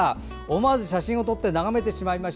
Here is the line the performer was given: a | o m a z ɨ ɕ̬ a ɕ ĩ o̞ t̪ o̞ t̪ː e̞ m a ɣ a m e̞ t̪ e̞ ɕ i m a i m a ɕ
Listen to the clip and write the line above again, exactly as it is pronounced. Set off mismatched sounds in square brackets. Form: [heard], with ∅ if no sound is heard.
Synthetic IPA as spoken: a | o m a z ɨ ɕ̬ a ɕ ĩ o̞ t̪ o̞ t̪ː e̞ [n] a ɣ a m e̞ t̪ e̞ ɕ i m a i m a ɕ